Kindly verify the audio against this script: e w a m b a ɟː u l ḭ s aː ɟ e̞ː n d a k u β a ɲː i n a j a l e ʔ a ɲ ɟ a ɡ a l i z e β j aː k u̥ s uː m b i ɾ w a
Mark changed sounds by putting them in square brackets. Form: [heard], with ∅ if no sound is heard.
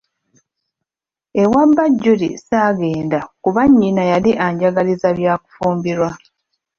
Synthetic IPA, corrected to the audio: e w a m b a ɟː u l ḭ s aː [ɡ] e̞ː n d a k u β a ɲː i n a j a l [i] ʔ a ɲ ɟ a ɡ a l i z [a] β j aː k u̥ [f] uː m b i ɾ w a

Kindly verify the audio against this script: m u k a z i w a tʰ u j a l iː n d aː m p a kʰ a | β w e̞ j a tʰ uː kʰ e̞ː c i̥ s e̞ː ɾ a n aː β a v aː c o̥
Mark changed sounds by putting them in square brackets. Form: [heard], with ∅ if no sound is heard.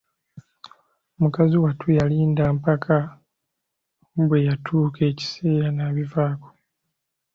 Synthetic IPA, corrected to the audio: m u k a z i w a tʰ u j a l iː n d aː m p a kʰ a | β w e̞ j a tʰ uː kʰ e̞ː c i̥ s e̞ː ɾ a n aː β [i] v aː [k] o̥

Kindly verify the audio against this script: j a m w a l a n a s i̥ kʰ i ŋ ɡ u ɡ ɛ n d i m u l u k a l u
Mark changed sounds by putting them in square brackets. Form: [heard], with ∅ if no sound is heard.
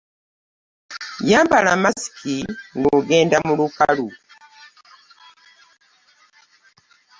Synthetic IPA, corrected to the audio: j a m [b] a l a [m] a s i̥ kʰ i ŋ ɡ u ɡ ɛ n d [a] m u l u k a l u

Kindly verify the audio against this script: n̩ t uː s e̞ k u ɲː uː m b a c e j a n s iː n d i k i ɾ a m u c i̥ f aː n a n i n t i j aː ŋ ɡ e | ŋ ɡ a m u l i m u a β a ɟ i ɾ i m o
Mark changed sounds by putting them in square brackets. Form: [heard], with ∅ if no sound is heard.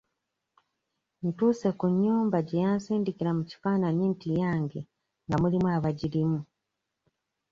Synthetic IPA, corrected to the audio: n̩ t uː s e̞ k u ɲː uː m b a [ɟ] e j a n s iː n d i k i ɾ a m u c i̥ f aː n a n i n t i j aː ŋ ɡ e | ŋ ɡ a m u l i m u a β a ɟ i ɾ i m [u]

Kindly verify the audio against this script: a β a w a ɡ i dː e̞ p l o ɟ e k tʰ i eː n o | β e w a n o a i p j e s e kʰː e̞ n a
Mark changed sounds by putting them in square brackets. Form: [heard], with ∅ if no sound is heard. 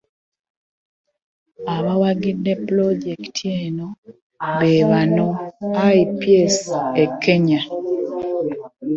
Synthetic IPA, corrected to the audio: a β a w a ɡ i dː e̞ p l o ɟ e k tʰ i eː n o | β e [β] a n o a i p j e s e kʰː e̞ [ɲ] a

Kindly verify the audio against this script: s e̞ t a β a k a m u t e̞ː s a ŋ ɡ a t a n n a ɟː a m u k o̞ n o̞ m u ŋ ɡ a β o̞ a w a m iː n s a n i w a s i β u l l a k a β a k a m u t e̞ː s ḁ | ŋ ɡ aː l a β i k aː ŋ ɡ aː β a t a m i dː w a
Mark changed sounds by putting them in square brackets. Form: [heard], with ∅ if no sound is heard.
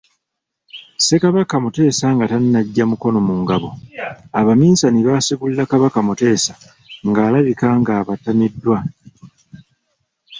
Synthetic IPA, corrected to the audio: s e̞ [k] a β a k a m u t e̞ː s a ŋ ɡ a t a n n a ɟː a m u k o̞ n o̞ m u ŋ ɡ a β o̞ a [β] a m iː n s a n i [β] a s i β u l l a k a β a k a m u t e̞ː s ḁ | ŋ ɡ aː l a β i k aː ŋ ɡ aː β a t a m i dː w a

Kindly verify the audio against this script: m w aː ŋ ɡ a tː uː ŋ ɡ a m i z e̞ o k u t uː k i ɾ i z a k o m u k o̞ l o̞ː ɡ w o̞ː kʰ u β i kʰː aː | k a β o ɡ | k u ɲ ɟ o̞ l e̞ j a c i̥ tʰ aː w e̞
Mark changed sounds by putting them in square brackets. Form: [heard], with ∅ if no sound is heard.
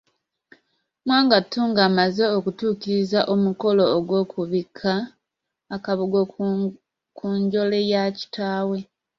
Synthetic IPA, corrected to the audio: m w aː ŋ ɡ a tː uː ŋ ɡ a m [a] z e̞ o k u t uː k i ɾ i z a [ʔ] o m u k o̞ l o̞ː ɡ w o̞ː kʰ u β i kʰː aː | k a β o ɡ | k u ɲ ɟ o̞ l e̞ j a c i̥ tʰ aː w e̞

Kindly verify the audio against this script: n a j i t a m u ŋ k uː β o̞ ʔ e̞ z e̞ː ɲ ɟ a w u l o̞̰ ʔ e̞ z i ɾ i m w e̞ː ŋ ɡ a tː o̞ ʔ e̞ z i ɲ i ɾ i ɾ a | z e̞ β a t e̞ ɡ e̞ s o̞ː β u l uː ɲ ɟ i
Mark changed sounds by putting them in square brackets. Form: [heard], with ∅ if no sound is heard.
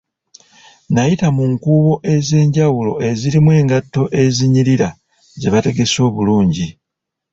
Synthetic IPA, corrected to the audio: n a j i t a m u ŋ k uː β o̞ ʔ e̞ z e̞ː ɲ ɟ a w u l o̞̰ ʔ e̞ z i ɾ i m w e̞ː ŋ ɡ a tː o̞ ʔ e̞ z i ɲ i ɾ i ɾ a | z e̞ β a t e̞ ɡ e̞ s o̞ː β u l uː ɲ ɟ i

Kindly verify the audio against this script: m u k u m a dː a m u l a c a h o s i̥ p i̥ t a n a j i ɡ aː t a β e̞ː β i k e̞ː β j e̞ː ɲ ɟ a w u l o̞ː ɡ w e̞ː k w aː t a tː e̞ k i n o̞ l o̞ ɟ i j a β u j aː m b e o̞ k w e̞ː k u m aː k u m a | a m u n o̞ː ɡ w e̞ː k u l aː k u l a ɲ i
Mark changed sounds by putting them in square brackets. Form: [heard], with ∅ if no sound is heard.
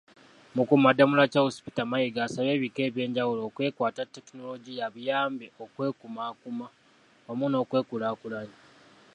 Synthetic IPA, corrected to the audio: m u k u m a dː a m u l a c a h o s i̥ p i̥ t a [m] a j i ɡ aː [s] a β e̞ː β i k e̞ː β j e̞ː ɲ ɟ a w u l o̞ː [k] w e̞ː k w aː t a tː e̞ k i n o̞ l o̞ ɟ i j a β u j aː m b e o̞ k w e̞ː k u m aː k u m a | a m u n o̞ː [k] w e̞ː k u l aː k u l a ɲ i

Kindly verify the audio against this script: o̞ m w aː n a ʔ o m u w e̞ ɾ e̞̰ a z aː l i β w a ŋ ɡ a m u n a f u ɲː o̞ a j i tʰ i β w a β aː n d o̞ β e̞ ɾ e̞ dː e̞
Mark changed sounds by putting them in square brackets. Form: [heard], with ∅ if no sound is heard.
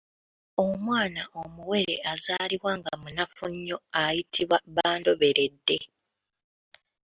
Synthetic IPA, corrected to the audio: o̞ m w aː n a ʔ o m u w e̞ ɾ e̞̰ a z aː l i β w a ŋ ɡ a m u n a f u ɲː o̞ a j i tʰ i β w a β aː n d o̞ β e̞ ɾ e̞ dː e̞

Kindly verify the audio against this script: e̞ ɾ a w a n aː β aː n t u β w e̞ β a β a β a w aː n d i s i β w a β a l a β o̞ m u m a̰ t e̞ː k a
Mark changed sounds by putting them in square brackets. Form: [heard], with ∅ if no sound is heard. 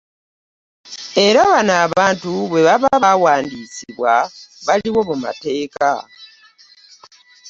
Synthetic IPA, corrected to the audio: e̞ ɾ a [β] a n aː β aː n t u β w e̞ β a β a β a w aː n d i s i β w a β a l [i] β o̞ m u m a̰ t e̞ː k a

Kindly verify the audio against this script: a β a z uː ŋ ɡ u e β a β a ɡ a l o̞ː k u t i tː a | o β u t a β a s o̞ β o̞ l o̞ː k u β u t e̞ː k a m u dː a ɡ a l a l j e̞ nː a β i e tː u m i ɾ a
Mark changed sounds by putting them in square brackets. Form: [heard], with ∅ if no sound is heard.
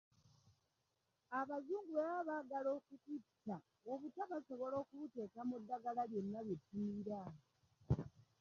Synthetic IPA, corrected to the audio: a β a z uː ŋ ɡ u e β a β a ɡ a l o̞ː k u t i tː a | o β u t a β a s o̞ β o̞ l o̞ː k u β u t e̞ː k a m u dː a ɡ a l a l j e̞ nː a β [j] e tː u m i ɾ a

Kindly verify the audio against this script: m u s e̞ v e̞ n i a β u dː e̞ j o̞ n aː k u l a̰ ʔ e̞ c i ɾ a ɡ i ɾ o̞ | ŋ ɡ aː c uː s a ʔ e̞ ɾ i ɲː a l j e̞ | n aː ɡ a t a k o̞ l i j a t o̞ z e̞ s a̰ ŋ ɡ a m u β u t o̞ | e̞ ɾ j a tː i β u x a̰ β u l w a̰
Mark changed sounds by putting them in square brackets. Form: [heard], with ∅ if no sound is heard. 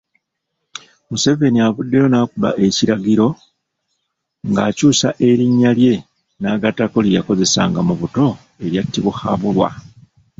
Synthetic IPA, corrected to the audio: m u s e̞ v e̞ n i a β u dː e̞ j o̞ n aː k u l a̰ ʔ e̞ c i ɾ a ɡ i ɾ o̞ | ŋ ɡ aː c uː s a ʔ e̞ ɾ i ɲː a l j e̞ | n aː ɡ a t a k o̞ l i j a [k] o̞ z e̞ s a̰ ŋ ɡ a m u β u t o̞ | e̞ ɾ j a tː i β u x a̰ β u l w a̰

